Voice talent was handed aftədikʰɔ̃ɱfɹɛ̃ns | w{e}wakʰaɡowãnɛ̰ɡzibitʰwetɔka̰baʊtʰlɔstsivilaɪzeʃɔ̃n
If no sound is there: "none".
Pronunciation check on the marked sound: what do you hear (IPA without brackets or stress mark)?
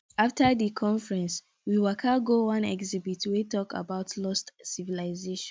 i